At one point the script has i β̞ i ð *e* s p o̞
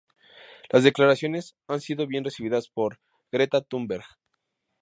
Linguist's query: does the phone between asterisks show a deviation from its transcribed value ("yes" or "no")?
yes